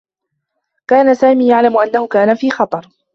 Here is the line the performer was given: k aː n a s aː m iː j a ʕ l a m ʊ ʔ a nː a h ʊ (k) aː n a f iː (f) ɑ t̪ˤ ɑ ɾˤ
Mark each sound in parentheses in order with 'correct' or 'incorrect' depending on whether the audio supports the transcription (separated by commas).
correct, incorrect